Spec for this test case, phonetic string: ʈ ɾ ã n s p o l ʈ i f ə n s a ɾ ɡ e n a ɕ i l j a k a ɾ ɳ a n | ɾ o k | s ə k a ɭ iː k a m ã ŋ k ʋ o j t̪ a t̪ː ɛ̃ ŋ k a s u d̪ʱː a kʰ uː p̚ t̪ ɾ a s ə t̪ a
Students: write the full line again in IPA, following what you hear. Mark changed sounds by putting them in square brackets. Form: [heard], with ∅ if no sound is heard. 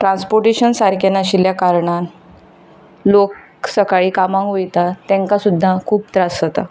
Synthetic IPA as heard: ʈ ɾ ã n s p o [ɾ] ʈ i [ɕ] ə n s a ɾ [k] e n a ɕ i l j a k a ɾ ɳ a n | [l] o k | s ə k a ɭ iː k a m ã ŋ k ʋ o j t̪ a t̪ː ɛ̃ ŋ k a s u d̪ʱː a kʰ uː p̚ t̪ ɾ a s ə t̪ a

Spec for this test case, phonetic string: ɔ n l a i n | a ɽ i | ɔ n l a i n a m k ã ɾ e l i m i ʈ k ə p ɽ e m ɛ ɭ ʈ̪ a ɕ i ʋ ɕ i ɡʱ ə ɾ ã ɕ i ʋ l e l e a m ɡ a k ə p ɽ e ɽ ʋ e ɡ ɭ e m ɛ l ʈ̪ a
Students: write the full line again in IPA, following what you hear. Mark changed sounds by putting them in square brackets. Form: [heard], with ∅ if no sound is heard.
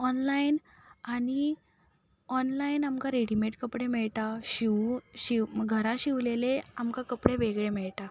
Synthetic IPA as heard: ɔ n l a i n | a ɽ i | ɔ n l a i n a m k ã ɾ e [ɽ] i m [e] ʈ k ə p ɽ e m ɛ ɭ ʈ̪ a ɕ i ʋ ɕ i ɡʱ ə ɾ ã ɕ i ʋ l e l e a m [k] a k ə p ɽ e [∅] ʋ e ɡ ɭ e m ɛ [ɭ] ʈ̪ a

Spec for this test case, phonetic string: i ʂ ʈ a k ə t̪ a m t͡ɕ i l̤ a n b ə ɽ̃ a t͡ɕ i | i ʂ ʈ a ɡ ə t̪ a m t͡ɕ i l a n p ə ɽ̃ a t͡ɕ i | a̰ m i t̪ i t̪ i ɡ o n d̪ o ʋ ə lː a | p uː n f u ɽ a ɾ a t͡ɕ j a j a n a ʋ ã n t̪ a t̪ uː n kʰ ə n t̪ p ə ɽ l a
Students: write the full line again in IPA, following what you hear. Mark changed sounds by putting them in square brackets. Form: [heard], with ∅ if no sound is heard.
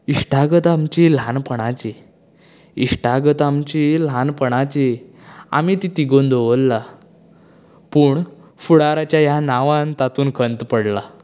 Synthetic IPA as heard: i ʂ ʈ a [ɡ] ə t̪ a m t͡ɕ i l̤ a n [p] ə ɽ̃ a t͡ɕ i | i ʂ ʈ a ɡ ə t̪ a m t͡ɕ i l a n p ə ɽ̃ a t͡ɕ i | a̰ m i t̪ i t̪ i ɡ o n d̪ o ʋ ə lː a | p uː [ɳ] f u ɽ a ɾ a t͡ɕ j a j a n a ʋ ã n t̪ a t̪ uː n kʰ ə n t̪ p ə ɽ l a

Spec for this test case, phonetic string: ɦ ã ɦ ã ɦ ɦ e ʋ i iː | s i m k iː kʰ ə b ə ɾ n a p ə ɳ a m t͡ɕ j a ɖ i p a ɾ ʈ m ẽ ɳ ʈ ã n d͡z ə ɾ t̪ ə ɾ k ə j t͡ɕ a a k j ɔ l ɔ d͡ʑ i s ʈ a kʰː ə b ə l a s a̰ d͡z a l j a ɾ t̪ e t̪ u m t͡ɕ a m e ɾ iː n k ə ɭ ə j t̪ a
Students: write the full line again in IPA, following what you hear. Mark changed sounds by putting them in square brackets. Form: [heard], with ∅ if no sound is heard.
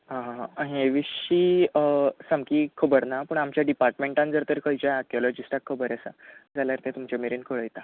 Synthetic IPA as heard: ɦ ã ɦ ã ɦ ɦ e ʋ i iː | s [a] m k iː kʰ ə b ə ɾ n a p ə ɳ a m t͡ɕ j a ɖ i p a ɾ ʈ m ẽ ɳ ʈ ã n d͡z ə ɾ t̪ ə ɾ k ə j t͡ɕ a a k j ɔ l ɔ d͡ʑ i s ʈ a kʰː ə b ə [ɾ] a s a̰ d͡z a l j a ɾ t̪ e t̪ u m t͡ɕ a m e ɾ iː n k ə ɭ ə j t̪ a

